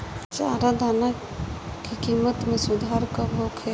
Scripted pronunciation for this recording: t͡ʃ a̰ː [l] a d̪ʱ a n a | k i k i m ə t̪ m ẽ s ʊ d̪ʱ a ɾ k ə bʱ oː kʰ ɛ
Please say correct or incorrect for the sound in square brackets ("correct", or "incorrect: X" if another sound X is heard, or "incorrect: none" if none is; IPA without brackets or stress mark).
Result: incorrect: ɾ